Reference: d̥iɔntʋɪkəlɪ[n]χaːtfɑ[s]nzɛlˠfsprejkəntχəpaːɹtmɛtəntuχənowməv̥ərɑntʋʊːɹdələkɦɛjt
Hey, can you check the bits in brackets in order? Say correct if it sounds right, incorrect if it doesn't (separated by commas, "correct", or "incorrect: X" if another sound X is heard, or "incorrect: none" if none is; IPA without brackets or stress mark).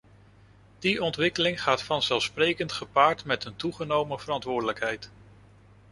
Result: incorrect: ŋ, incorrect: none